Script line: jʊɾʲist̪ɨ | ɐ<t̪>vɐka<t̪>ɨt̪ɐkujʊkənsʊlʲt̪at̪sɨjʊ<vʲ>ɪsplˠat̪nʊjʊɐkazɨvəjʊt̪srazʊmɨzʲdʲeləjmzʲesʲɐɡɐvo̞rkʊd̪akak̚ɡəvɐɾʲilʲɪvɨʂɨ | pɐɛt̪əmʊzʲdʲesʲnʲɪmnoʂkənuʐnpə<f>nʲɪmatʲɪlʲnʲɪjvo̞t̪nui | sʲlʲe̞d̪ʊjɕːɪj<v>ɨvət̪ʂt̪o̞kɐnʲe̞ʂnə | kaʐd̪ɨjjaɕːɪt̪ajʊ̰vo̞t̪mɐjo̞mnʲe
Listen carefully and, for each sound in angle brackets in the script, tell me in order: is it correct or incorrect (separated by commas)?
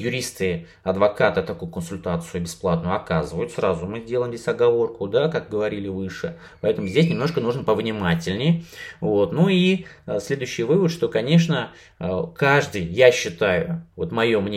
incorrect, correct, incorrect, incorrect, correct